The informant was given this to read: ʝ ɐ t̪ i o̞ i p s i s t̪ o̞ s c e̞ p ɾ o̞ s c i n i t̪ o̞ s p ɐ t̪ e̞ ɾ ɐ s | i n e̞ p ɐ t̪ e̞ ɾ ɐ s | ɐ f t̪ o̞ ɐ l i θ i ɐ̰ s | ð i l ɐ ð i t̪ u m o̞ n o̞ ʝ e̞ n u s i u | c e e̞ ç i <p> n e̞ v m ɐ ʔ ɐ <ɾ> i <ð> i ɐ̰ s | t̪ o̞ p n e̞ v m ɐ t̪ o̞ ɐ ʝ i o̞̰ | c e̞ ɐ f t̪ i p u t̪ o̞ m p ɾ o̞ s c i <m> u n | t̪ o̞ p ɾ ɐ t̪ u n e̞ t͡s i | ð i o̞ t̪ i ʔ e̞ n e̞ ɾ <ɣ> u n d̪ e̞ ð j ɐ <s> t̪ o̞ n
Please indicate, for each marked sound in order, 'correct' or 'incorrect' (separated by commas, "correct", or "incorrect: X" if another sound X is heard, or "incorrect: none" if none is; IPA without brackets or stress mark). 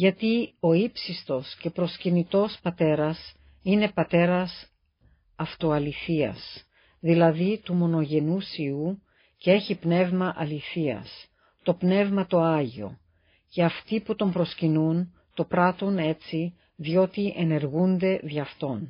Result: correct, incorrect: l, incorrect: θ, incorrect: n, correct, incorrect: f